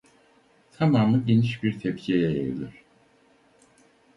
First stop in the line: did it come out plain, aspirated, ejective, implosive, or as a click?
aspirated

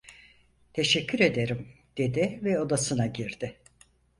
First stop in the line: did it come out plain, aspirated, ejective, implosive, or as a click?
aspirated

